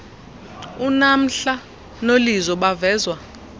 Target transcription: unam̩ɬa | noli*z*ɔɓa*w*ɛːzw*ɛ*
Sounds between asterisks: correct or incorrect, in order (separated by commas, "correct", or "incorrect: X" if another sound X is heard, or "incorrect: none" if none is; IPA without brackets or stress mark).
correct, incorrect: v, incorrect: a